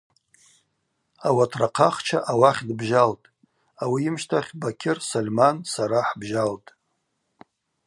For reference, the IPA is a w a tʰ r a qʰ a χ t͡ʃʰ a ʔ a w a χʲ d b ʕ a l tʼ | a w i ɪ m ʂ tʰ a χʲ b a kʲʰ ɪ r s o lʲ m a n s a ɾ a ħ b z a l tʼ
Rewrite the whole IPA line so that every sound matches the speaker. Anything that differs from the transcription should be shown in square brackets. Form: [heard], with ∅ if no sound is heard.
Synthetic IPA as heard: a w a tʰ r a qʰ a χ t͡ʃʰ a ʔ a w a χʲ d b [ʒ] a l tʼ | a w i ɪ m [ʃ] tʰ a χʲ b a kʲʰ ɪ r s o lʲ m a n s a ɾ a ħ b [ʒ] a l tʼ